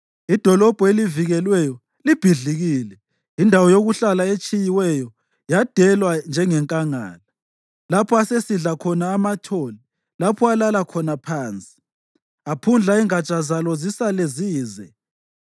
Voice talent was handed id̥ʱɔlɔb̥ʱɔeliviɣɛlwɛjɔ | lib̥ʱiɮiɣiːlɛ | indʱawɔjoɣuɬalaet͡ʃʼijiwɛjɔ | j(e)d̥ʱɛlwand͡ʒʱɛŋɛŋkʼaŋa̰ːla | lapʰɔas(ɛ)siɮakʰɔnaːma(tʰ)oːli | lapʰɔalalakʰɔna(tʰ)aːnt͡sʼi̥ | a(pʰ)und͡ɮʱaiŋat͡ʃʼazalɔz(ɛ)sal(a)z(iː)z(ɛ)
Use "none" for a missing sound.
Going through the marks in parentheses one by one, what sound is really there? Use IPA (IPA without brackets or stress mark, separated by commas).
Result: a, e, tʰ, pʰ, pʰ, i, e, iː, ɛ